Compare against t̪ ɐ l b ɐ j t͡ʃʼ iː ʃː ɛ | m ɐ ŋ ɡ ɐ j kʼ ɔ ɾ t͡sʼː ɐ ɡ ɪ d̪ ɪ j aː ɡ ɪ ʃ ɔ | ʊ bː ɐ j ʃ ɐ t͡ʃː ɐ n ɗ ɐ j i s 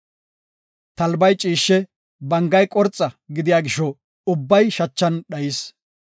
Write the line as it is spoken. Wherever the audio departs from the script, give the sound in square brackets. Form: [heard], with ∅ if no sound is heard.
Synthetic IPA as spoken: t̪ ɐ l b ɐ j t͡ʃʼ iː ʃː ɛ | [b] ɐ ŋ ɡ ɐ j kʼ ɔ ɾ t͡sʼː ɐ ɡ ɪ d̪ ɪ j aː ɡ ɪ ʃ ɔ | ʊ bː ɐ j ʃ ɐ t͡ʃː ɐ n ɗ ɐ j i s